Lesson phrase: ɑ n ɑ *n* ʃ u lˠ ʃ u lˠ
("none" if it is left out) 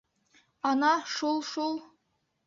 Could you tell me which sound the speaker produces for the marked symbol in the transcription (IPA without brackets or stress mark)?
none